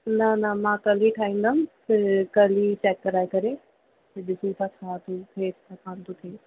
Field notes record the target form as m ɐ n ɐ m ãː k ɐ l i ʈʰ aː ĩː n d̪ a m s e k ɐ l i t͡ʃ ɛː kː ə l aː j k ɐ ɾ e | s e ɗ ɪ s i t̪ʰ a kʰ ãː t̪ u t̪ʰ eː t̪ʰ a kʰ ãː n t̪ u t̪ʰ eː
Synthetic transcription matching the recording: n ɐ n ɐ m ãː k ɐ l i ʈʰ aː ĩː n d̪ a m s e k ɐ l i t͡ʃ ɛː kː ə ɾ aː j k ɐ ɾ e | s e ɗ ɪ s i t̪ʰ a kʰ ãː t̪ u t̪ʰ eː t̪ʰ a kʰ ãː n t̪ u t̪ʰ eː